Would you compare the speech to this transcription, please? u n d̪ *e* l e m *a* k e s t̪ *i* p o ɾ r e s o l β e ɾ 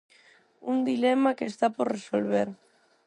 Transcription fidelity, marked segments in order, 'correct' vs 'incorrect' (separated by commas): incorrect, correct, incorrect